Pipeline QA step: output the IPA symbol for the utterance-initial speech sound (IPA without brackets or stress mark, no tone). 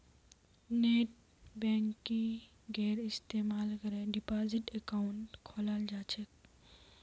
n